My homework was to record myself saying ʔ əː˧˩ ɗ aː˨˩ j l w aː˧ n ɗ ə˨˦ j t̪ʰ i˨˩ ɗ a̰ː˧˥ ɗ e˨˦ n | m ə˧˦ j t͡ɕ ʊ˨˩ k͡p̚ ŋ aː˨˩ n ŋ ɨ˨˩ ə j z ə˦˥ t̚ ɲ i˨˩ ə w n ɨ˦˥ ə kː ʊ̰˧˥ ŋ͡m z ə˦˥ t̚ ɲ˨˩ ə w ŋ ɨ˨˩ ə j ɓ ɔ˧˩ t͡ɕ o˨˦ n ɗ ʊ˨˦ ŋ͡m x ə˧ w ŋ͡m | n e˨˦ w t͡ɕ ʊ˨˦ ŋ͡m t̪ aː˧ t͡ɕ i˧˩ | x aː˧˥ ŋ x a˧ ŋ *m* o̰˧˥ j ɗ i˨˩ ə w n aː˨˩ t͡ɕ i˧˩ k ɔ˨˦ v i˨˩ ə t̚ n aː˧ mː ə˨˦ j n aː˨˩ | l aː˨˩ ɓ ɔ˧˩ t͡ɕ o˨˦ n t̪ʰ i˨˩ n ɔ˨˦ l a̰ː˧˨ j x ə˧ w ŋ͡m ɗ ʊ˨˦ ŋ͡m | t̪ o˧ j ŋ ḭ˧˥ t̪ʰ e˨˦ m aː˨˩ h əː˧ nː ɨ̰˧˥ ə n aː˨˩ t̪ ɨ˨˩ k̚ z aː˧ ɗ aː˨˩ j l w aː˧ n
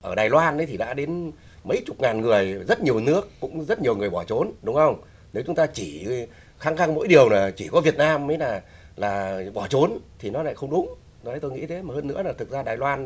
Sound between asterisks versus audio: correct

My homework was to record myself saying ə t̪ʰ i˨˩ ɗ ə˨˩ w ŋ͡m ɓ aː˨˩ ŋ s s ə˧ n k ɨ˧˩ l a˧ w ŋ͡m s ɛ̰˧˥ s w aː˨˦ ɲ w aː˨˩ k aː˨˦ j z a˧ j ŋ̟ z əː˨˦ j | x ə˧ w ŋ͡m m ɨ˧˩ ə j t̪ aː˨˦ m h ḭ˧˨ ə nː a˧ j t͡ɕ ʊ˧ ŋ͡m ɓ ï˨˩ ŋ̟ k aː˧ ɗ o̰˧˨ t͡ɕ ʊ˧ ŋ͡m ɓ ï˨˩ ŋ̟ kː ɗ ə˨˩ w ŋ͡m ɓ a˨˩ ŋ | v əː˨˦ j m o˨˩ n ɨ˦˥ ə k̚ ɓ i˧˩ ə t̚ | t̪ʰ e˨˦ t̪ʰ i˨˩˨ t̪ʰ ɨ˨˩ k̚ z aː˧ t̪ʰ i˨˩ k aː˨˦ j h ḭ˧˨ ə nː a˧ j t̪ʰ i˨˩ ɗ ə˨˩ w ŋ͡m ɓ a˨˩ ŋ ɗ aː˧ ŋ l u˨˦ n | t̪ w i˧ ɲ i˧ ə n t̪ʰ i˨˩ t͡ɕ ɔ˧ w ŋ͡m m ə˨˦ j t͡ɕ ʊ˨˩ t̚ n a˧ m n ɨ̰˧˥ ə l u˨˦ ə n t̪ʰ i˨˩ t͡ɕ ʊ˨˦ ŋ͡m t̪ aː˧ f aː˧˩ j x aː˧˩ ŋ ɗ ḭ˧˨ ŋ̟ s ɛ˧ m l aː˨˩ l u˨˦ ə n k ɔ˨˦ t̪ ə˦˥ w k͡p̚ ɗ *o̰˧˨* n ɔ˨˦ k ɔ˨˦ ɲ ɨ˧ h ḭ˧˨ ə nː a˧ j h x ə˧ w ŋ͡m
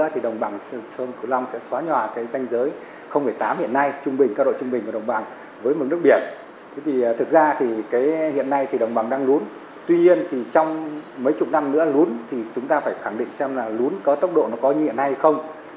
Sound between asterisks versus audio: correct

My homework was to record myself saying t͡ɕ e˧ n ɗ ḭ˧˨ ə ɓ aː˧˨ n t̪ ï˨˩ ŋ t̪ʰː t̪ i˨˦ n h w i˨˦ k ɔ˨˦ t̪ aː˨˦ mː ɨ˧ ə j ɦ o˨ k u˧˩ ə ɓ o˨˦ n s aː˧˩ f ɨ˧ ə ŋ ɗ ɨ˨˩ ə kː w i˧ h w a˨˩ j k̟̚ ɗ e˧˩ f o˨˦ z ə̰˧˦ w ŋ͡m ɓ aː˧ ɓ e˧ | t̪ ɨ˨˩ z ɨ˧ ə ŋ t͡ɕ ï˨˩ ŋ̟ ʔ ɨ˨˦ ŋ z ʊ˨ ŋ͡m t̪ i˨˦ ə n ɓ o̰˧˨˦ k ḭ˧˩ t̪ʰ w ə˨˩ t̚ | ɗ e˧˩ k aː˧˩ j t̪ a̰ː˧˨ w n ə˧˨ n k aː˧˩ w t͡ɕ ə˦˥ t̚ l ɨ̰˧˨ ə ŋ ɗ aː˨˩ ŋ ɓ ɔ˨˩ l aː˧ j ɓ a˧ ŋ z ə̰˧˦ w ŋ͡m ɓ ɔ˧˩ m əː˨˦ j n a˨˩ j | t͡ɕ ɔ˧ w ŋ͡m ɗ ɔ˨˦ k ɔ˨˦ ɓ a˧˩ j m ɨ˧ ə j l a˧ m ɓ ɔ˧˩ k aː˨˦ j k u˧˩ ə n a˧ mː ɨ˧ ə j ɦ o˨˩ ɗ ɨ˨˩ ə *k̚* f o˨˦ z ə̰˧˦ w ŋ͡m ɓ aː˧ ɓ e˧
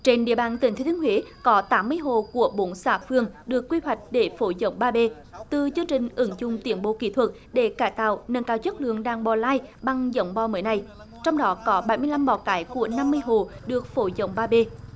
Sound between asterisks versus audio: correct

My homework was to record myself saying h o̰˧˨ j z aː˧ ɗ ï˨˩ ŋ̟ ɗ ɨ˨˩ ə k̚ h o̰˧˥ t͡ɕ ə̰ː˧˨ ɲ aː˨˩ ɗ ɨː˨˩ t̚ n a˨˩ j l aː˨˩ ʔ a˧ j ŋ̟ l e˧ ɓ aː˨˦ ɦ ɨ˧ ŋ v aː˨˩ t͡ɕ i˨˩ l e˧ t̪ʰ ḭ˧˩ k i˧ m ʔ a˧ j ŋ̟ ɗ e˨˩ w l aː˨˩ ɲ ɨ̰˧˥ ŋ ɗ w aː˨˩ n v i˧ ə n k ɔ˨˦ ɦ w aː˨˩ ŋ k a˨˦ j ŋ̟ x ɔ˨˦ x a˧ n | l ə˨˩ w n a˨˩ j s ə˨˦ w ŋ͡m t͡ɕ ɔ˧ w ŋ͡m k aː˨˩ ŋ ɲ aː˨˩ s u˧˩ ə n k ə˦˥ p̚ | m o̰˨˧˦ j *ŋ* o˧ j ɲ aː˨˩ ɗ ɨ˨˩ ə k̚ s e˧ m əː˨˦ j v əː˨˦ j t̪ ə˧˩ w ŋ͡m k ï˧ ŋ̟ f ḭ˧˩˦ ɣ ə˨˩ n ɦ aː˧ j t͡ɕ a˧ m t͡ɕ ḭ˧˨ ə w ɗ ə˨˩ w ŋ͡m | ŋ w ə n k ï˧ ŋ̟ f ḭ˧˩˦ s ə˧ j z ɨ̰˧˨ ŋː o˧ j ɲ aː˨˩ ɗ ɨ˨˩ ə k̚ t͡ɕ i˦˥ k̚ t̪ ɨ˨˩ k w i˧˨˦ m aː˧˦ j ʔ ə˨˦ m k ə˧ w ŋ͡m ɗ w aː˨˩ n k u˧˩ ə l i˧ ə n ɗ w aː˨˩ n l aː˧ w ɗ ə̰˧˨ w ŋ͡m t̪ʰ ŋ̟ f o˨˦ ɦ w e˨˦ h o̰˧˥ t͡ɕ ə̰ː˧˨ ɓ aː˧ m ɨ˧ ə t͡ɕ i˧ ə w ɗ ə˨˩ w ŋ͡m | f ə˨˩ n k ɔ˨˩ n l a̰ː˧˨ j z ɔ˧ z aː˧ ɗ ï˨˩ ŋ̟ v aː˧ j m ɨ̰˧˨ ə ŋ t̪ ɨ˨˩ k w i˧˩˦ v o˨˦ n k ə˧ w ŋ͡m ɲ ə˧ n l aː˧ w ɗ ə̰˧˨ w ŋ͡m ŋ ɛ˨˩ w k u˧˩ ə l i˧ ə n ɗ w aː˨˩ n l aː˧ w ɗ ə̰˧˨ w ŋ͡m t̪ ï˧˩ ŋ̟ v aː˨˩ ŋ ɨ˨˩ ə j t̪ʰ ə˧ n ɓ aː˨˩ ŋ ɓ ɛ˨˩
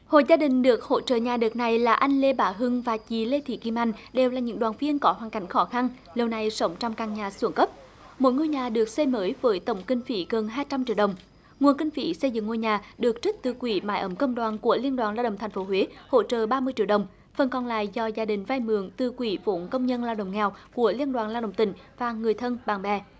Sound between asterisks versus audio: correct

